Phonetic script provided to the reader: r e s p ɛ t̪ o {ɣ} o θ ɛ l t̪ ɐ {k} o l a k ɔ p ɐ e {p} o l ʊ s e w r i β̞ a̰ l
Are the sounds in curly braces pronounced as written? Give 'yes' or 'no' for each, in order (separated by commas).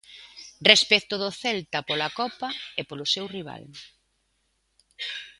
no, no, yes